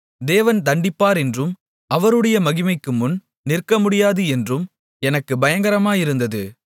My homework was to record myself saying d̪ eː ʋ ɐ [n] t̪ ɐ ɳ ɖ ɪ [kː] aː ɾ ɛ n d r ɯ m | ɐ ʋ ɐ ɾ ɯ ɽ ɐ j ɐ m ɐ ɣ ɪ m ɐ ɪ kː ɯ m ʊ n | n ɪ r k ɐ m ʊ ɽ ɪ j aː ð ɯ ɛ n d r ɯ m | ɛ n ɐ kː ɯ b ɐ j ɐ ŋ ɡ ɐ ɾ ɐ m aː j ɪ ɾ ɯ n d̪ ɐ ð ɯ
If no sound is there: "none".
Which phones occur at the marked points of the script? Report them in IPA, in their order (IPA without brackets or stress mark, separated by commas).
n, pː